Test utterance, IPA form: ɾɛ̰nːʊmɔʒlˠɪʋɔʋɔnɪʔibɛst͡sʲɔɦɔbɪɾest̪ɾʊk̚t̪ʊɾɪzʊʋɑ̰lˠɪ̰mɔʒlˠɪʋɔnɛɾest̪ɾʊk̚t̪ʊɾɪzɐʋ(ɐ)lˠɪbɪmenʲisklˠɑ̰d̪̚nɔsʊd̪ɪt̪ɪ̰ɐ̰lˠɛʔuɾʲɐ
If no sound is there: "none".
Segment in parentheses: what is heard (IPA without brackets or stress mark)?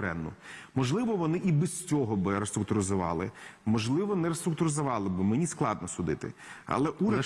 ɑ